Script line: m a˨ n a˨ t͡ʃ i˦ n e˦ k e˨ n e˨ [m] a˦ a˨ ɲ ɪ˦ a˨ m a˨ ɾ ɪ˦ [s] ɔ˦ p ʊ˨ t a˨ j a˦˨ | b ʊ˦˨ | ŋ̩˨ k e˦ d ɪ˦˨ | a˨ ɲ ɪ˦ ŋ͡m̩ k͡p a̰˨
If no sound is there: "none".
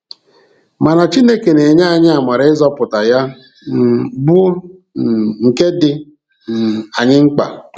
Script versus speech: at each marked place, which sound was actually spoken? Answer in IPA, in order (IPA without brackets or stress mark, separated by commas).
ɲ, z